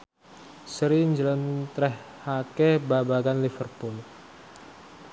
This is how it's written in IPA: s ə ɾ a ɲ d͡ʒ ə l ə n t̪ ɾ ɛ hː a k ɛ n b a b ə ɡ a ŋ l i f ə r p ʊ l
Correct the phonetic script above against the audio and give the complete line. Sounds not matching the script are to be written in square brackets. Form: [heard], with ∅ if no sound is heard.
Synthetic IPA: s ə ɾ [i] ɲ d͡ʒ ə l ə n t̪ ɾ ɛ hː a k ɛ [∅] b a b [a] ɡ a [n] l i f ə r p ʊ l